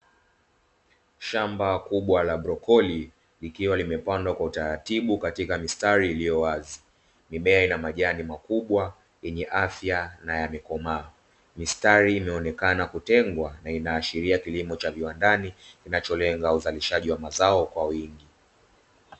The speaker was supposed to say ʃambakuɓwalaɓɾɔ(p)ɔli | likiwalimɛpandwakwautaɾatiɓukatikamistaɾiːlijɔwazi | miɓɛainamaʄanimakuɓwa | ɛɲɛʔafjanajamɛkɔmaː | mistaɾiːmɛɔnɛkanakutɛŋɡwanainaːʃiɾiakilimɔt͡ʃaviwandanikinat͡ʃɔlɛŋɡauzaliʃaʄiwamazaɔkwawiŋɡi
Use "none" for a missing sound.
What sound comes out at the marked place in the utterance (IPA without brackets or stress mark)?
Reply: k